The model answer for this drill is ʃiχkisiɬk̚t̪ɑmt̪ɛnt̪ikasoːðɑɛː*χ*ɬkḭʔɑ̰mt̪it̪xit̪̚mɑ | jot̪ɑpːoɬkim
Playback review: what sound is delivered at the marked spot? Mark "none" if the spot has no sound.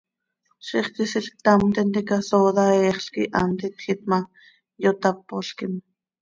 χ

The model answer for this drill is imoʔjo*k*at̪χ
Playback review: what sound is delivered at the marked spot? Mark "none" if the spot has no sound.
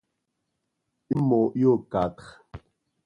k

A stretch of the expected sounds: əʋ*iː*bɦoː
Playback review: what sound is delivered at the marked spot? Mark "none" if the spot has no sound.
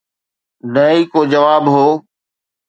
aː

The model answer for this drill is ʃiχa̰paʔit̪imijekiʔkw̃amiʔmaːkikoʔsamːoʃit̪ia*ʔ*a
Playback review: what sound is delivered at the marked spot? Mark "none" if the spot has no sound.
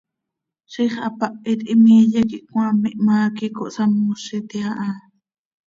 ʔ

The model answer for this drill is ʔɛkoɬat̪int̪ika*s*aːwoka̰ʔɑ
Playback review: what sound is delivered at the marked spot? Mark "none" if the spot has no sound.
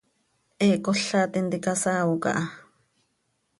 s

